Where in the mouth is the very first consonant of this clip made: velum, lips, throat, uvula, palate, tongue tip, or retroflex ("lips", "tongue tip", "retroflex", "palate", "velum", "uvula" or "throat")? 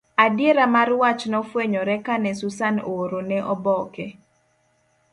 tongue tip